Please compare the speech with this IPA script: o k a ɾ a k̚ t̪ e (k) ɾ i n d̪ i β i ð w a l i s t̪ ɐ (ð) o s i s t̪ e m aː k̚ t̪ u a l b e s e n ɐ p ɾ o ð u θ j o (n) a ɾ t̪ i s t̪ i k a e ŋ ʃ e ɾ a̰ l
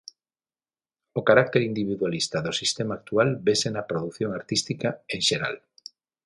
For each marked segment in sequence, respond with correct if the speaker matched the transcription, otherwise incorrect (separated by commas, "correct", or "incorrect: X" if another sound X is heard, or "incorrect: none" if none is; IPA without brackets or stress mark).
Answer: incorrect: none, correct, incorrect: ŋ